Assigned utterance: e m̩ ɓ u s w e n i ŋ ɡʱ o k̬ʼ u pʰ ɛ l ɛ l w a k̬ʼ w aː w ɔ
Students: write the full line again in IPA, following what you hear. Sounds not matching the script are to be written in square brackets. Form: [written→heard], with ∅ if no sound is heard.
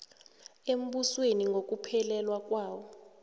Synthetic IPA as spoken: e m̩ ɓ u s w e n i ŋ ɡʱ o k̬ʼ u pʰ ɛ l ɛ l w a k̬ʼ w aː w ɔ